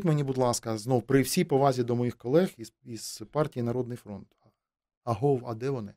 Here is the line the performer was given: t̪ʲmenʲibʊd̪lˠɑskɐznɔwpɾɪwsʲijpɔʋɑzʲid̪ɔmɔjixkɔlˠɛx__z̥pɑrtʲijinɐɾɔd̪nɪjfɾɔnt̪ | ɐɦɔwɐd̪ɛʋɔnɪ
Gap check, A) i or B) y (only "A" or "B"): A